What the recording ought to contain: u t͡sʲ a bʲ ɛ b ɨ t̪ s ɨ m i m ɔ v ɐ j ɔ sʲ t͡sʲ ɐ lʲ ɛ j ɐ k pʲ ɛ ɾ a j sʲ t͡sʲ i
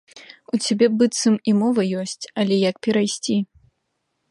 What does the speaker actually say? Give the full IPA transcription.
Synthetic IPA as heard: u t͡sʲ a bʲ ɛ b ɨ t̪ s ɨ m i m ɔ v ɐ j ɔ sʲ t͡sʲ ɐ lʲ ɛ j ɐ k pʲ ɛ ɾ a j sʲ t͡sʲ i